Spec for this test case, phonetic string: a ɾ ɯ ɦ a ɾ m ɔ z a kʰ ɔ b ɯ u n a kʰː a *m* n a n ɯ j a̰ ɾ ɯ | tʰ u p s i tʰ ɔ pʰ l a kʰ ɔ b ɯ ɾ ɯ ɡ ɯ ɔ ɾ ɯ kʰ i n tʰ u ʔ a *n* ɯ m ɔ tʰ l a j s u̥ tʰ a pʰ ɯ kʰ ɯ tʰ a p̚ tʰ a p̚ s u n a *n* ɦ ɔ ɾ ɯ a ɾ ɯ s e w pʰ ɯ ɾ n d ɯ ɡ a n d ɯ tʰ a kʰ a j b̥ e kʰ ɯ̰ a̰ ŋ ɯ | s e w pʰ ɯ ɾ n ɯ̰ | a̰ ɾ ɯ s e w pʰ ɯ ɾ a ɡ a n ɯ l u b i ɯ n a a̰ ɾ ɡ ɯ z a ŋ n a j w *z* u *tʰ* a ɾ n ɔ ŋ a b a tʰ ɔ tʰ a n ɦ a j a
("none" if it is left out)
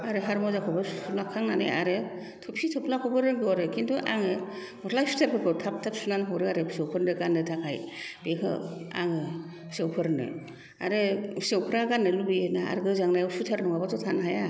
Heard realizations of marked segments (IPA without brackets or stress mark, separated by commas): ŋ, ŋ, n, s, tʰ